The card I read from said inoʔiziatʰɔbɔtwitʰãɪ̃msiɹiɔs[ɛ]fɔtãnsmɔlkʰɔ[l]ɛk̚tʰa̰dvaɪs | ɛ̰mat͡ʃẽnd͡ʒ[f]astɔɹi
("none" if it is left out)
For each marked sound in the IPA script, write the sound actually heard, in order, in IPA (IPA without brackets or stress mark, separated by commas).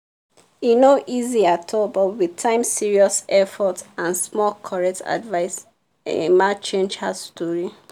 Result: ɛ, ɹ, h